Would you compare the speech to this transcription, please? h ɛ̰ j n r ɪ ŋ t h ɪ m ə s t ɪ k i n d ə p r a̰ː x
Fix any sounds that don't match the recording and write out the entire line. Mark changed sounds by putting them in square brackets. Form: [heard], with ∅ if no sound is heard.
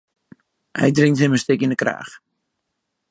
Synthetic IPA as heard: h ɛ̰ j [d] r ɪ ŋ t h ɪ m ə s t ɪ k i n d ə [k] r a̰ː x

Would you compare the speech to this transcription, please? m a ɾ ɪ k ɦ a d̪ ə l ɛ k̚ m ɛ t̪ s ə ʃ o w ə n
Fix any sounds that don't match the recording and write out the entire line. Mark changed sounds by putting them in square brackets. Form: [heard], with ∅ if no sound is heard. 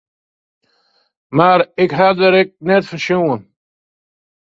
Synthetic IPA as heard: m a ɾ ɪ k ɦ a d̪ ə [ɾ] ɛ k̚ [n] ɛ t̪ [f] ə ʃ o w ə n

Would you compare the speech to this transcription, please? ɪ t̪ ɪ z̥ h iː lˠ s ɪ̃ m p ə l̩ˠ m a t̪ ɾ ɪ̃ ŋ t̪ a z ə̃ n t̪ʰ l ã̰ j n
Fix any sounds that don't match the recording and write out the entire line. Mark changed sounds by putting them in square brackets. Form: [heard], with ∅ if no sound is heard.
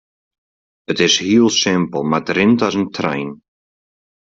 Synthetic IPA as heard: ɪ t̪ ɪ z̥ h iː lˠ s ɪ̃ m p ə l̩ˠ m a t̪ ɾ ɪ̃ [n] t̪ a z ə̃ n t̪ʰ [ɾ] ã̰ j n

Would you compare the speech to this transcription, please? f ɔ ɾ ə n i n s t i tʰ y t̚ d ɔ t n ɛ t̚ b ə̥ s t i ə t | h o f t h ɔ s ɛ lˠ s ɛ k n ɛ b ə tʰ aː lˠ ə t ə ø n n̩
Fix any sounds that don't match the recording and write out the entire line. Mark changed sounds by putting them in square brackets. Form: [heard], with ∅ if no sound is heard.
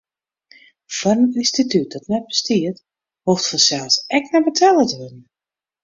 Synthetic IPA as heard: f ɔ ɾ ə n i n s t i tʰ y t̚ d ɔ t n ɛ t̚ b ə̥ s t i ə t | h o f t [f] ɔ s ɛ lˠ s ɛ k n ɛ b ə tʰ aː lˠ ə t ə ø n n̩

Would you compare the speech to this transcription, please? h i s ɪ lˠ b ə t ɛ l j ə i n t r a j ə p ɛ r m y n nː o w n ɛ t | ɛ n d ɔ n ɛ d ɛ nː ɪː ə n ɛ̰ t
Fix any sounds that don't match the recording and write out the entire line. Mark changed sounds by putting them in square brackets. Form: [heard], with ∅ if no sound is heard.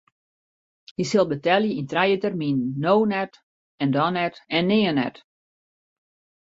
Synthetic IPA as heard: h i s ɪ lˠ b ə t ɛ l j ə i n t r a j ə [t] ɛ r m [i] n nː o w n ɛ t | ɛ n d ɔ n ɛ [t] ɛ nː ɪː ə n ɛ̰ t

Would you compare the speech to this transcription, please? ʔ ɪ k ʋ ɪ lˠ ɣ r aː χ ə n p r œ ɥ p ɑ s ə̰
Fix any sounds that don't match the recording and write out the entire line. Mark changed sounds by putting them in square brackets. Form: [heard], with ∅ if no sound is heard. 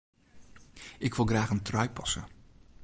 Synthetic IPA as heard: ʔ ɪ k ʋ ɪ lˠ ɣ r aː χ ə n [t] r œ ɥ p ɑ s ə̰

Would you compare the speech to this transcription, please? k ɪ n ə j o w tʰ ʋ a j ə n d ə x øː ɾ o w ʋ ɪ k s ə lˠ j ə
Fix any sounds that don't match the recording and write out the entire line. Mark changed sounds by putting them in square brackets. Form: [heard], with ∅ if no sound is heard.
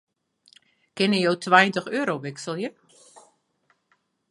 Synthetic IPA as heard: k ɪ n ə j o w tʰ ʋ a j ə n [t] ə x øː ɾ o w ʋ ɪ k s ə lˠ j ə

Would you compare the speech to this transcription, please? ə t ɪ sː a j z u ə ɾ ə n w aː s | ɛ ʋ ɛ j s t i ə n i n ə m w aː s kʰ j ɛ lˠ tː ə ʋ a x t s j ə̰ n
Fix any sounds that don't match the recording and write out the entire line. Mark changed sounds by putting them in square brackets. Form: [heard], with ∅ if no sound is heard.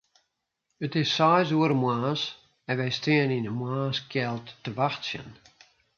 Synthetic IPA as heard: ə t ɪ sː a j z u ə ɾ ə [m] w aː s | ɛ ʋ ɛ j s t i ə n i n ə m w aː s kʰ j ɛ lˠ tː ə ʋ a x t s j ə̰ n

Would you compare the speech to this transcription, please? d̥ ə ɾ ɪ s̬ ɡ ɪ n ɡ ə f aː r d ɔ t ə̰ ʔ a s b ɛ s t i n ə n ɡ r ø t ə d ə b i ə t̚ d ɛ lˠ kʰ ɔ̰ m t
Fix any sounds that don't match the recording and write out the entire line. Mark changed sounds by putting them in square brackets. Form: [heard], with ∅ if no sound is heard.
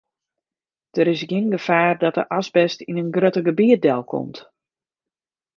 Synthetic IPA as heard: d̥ ə ɾ ɪ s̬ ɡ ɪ n ɡ ə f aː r d ɔ t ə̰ ʔ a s b ɛ s t i n ə n ɡ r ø t ə [ɡ] ə b i ə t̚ d ɛ lˠ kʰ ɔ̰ m t

